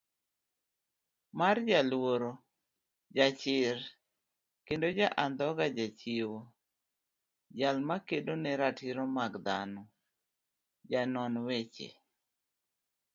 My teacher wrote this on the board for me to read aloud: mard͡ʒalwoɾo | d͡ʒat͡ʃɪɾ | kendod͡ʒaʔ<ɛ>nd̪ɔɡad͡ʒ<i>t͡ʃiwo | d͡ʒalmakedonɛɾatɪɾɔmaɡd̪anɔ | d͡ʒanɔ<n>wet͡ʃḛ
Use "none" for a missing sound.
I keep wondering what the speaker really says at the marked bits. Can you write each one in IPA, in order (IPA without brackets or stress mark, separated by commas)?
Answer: a, a, n